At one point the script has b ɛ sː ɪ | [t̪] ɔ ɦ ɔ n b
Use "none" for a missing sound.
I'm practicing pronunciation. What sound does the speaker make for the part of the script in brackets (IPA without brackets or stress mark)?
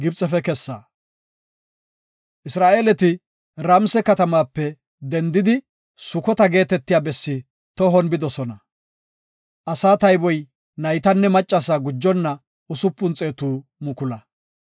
t̪